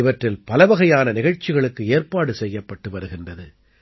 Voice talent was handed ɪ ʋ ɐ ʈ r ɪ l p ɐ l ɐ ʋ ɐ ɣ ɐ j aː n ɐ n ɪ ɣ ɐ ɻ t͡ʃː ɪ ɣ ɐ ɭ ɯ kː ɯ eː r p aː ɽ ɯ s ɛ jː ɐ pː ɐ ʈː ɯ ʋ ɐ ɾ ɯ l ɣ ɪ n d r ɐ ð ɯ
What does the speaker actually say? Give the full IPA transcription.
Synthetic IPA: ɪ ʋ ɐ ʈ r ɪ l p ɐ l ɐ ʋ ɐ ɣ ɐ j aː n ɐ n ɪ ɣ ɐ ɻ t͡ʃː ɪ ɣ ɐ ɭ ɯ kː ɯ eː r p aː ɽ ɯ s ɛ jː ɐ pː ɐ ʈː ɯ ʋ ɐ ɾ ɯ ɣ ɪ n d r ɐ ð ɯ